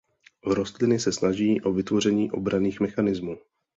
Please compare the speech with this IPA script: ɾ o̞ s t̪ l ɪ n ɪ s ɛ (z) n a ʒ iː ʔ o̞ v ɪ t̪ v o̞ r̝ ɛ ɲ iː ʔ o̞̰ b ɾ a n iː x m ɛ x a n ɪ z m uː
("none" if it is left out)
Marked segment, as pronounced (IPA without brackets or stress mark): s